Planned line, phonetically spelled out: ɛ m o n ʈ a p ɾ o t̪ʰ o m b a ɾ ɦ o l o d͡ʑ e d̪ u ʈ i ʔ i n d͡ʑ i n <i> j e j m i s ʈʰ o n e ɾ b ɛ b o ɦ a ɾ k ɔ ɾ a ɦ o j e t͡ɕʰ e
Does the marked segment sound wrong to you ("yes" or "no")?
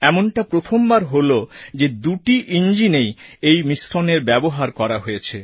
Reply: yes